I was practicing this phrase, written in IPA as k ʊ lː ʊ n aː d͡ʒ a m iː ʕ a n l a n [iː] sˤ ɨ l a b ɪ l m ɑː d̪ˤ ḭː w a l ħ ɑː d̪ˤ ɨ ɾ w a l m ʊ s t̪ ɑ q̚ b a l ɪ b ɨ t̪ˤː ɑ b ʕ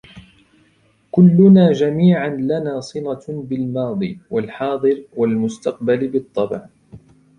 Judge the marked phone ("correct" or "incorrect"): incorrect